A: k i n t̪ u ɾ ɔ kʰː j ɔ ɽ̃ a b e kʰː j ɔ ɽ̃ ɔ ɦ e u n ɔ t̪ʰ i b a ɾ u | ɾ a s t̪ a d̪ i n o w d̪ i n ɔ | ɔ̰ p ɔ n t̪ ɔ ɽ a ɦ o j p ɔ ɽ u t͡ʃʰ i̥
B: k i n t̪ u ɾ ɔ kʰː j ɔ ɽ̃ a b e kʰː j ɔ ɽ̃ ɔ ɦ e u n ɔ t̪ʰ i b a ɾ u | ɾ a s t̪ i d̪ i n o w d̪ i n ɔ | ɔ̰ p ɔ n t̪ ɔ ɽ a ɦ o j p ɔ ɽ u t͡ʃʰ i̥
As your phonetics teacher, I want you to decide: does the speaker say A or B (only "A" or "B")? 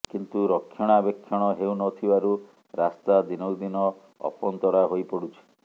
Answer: A